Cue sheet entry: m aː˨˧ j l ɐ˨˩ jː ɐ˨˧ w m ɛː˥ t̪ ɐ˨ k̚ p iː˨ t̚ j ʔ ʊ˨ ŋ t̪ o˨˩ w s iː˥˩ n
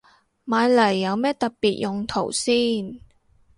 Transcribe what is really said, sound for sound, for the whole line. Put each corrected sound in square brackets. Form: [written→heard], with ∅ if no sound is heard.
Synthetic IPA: m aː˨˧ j l ɐ˨˩ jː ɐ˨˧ w m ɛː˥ t̪ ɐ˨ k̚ p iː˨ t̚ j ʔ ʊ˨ ŋ [t̪→t̪ʰ] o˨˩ w s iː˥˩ n